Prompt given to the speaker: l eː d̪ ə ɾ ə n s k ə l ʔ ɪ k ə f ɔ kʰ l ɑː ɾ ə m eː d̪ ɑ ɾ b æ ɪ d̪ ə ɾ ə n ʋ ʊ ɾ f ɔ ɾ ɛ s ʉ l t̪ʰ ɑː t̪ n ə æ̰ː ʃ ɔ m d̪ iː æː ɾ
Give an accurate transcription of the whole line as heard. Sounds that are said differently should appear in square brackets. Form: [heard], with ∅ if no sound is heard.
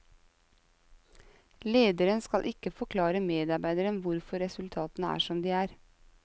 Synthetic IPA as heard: l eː d̪ ə ɾ ə n s k [ɑ] l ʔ ɪ k ə f ɔ kʰ l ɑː ɾ ə m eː d̪ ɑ ɾ b æ ɪ d̪ ə ɾ ə n ʋ ʊ ɾ f ɔ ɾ ɛ s ʉ l t̪ʰ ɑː t̪ n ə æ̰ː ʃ ɔ m d̪ iː æː ɾ

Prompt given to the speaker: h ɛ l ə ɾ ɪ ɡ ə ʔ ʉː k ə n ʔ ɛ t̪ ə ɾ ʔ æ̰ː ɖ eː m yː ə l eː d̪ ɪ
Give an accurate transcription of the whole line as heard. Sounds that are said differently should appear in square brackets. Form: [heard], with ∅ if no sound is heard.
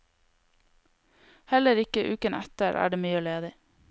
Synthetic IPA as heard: h ɛ l ə ɾ ɪ [k] ə ʔ ʉː k ə n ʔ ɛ t̪ ə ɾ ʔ æ̰ː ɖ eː m yː ə l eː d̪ ɪ

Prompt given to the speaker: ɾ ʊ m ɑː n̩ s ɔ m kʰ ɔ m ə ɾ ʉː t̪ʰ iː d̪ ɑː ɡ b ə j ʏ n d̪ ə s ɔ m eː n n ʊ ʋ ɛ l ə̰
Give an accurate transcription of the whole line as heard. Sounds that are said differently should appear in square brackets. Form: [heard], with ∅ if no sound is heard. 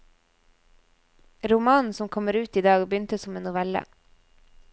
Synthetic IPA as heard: ɾ ʊ m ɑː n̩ s ɔ m kʰ ɔ m ə ɾ ʉː [t̪] iː d̪ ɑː ɡ b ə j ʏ n [t̪] ə s ɔ m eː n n ʊ ʋ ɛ l ə̰

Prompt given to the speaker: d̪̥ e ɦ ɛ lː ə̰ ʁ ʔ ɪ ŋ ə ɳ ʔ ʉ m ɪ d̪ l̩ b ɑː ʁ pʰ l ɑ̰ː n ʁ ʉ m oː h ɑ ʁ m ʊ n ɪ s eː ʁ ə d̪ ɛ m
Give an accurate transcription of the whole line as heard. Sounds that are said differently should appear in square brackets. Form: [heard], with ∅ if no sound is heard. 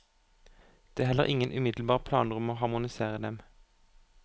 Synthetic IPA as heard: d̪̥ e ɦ ɛ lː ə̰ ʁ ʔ ɪ ŋ ə [n] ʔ ʉ m ɪ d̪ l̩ b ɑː ʁ pʰ l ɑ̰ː n ʁ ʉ m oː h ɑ ʁ m ʊ n ɪ s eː ʁ ə d̪ ɛ m

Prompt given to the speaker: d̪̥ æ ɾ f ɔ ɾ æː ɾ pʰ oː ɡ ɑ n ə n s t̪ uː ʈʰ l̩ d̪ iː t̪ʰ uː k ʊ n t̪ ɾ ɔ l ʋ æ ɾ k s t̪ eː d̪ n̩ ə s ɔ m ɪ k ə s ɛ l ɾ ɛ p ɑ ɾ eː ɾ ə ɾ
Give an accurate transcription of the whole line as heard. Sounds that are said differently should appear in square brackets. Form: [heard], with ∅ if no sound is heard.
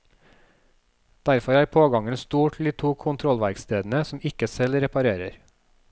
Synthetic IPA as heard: d̪̥ æ ɾ f ɔ ɾ æː ɾ pʰ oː ɡ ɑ [ŋ] ə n s t̪ uː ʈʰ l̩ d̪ iː t̪ʰ uː [kʰ] ʊ n [t̪ʰ] ɾ ɔ l ʋ æ ɾ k s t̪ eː d̪ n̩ ə s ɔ m ɪ k ə s ɛ l ɾ ɛ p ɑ ɾ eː ɾ ə ɾ

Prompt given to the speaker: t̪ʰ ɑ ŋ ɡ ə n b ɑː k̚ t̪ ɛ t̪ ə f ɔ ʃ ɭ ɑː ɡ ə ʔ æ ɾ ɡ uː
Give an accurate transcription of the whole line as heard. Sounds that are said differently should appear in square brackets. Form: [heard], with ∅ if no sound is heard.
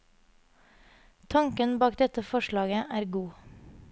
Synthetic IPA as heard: t̪ʰ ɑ ŋ [k] ə n b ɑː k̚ [d̪] ɛ t̪ ə f ɔ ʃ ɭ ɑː ɡ ə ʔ [æː] ɾ ɡ uː

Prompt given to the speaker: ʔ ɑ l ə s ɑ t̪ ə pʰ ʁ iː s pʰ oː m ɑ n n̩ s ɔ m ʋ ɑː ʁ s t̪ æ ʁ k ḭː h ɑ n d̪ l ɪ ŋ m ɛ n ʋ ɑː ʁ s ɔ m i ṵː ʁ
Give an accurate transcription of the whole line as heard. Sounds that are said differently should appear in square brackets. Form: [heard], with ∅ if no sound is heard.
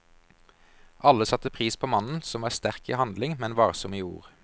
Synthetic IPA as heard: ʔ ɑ l ə s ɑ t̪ ə pʰ ʁ iː s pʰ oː m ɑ n n̩ s ɔ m ʋ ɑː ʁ s t̪ æ ʁ k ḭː h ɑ n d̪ l ɪ ŋ m ɛ n ʋ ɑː ʁ s ɔ m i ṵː ʁ

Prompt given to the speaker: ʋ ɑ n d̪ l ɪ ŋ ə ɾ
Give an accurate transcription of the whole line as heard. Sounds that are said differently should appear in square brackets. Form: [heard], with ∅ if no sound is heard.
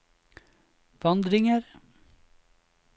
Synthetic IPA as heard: ʋ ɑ n d̪ [ɾ] ɪ ŋ ə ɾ

